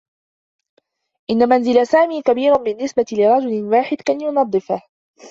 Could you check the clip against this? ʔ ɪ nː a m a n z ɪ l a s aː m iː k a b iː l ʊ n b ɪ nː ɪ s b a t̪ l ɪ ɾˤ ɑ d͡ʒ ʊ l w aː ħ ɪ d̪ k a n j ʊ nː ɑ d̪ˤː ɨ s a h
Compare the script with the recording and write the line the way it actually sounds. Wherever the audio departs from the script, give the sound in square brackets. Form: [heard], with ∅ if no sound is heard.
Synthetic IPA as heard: ʔ ɪ nː a m a n z ɪ l a s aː m iː k a b iː [ɾ] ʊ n b ɪ nː ɪ s b a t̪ l ɪ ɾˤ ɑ d͡ʒ ʊ l w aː ħ ɪ d̪ k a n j ʊ [n] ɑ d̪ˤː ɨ [f] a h